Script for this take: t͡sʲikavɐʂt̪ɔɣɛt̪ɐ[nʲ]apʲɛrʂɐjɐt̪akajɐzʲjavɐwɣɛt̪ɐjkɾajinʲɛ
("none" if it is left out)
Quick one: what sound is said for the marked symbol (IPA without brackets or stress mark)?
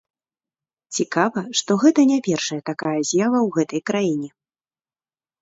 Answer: nʲ